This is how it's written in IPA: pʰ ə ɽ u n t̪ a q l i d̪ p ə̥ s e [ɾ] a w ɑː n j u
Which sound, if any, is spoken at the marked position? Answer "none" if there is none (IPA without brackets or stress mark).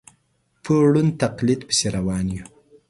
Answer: ɾ